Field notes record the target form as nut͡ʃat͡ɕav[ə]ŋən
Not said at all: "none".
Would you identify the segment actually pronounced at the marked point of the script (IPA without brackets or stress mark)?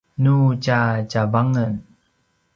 a